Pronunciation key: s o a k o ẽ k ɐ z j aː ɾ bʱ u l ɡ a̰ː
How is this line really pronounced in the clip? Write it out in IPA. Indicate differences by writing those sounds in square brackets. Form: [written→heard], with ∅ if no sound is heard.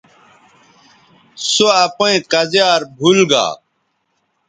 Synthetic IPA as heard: s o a [k→p] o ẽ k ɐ z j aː ɾ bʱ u l ɡ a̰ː

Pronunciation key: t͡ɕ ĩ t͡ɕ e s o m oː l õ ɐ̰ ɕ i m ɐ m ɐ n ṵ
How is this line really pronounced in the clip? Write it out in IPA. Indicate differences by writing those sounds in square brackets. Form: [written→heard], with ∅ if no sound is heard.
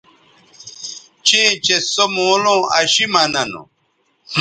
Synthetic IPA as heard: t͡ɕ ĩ t͡ɕ e s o m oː l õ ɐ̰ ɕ i m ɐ [m→n] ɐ n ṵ

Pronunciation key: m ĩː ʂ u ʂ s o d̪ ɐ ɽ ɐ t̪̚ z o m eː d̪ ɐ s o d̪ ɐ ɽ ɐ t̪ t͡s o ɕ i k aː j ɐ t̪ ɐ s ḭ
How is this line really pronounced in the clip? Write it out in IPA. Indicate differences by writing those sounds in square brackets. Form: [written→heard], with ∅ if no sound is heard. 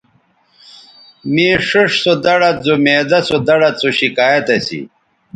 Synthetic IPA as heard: m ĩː ʂ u ʂ s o d̪ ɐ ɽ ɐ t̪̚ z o m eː d̪ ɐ s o d̪ ɐ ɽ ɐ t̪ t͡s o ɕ i k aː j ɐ t̪ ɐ s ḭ

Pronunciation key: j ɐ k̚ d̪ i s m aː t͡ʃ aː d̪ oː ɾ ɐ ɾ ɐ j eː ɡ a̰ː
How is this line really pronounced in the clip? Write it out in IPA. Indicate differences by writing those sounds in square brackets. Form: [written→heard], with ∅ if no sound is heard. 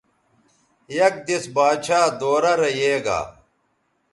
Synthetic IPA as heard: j ɐ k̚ d̪ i s [m→b] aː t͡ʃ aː d̪ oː ɾ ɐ ɾ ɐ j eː ɡ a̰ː

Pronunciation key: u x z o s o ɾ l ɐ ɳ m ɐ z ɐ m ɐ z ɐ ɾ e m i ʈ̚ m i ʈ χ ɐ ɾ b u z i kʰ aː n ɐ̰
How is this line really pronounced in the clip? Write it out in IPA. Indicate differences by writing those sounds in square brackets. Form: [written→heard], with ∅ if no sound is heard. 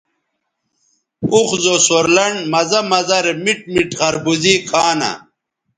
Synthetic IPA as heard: u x z o s o ɾ l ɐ ɳ m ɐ z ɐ m ɐ z ɐ ɾ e m i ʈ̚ m i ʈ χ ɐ ɾ b u z i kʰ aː n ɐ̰

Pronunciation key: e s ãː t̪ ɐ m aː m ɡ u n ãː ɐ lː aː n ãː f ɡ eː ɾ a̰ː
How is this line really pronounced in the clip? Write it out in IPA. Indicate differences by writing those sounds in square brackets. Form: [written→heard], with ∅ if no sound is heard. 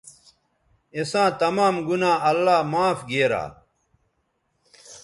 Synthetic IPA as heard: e s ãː t̪ ɐ m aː m ɡ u n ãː ɐ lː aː [n→m] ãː f ɡ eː ɾ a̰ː

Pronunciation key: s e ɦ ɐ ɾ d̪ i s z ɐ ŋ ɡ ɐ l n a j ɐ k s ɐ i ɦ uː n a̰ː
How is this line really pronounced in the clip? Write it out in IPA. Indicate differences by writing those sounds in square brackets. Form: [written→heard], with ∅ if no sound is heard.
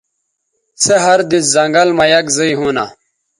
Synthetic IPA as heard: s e ɦ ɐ ɾ d̪ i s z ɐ ŋ ɡ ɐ l [n→m] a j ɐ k [s→z] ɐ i ɦ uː n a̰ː

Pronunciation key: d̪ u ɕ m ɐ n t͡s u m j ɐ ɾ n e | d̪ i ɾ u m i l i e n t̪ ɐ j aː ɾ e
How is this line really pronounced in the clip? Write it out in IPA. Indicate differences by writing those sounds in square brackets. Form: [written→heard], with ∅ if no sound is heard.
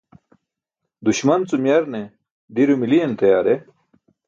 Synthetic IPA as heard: d̪ u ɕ m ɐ n t͡s u m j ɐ ɾ n e | d̪ i ɾ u m i l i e n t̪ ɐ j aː ɾ e

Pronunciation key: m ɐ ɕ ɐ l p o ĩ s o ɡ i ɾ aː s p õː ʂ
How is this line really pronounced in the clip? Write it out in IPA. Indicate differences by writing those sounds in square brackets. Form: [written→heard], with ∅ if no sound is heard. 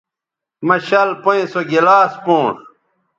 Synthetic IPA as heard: m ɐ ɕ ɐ l p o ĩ s o ɡ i [ɾ→l] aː s p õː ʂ

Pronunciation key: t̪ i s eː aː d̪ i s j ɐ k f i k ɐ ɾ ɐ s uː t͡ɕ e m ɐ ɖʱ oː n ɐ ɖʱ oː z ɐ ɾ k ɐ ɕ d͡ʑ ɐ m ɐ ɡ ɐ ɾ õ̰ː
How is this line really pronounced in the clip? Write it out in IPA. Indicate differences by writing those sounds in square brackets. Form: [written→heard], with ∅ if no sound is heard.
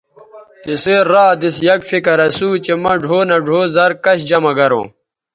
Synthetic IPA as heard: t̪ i s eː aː d̪ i s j ɐ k f i k ɐ ɾ ɐ s uː t͡ɕ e m ɐ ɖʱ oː n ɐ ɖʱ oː z ɐ ɾ k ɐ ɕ d͡ʑ ɐ m ɐ ɡ ɐ ɾ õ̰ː

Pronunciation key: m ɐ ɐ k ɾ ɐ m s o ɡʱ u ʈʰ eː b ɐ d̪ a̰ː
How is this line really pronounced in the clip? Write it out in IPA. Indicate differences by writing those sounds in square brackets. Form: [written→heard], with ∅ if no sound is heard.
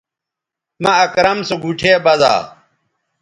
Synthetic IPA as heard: m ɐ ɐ k ɾ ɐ m s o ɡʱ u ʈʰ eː b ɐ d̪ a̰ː

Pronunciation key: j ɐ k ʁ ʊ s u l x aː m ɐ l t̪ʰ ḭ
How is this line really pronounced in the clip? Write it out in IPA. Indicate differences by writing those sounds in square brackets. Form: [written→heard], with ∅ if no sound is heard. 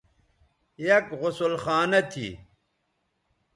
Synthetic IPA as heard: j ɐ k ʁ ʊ s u l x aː [m→n] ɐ [l→∅] t̪ʰ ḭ

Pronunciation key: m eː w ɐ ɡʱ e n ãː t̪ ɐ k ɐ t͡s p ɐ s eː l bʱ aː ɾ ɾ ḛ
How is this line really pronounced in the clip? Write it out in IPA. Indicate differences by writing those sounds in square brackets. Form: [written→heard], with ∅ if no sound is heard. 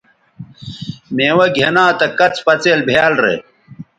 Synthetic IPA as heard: m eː w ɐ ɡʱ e n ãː t̪ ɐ k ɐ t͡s p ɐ [s→t͡s] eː l bʱ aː [ɾ→l] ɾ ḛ

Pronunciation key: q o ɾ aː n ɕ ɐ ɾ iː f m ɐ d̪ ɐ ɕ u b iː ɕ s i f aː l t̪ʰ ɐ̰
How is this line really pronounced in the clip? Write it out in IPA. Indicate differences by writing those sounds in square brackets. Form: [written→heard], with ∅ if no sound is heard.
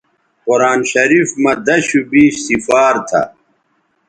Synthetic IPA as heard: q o ɾ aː n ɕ ɐ ɾ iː f m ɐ d̪ ɐ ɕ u b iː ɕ s i f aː [l→ɾ] t̪ʰ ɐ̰

